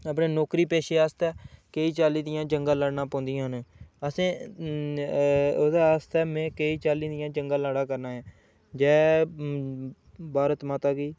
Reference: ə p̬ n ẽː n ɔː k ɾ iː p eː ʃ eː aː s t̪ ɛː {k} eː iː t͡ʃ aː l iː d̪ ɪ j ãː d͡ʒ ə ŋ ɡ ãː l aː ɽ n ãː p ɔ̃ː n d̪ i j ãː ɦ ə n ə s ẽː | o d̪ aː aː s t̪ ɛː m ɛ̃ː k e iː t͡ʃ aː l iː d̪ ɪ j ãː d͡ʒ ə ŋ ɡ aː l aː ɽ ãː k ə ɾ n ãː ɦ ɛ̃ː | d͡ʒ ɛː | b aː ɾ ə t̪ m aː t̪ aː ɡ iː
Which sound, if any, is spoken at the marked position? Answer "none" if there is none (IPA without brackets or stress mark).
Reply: k